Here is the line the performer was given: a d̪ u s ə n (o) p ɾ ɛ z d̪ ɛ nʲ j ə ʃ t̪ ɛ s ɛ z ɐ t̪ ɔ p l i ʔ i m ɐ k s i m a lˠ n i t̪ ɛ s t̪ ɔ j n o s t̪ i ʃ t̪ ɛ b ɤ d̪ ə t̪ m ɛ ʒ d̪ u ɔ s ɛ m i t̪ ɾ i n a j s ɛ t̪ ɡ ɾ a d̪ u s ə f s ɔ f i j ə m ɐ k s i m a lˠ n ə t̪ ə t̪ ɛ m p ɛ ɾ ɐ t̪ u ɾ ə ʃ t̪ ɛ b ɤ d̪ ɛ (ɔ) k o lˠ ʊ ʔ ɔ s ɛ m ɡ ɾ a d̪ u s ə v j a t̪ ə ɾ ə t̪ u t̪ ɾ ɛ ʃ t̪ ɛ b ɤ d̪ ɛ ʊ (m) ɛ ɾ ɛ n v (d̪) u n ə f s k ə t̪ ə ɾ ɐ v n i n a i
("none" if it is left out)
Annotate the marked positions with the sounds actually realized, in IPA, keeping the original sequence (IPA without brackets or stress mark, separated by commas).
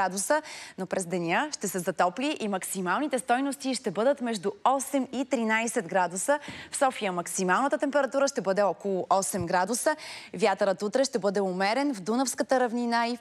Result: o, ɔ, m, d̪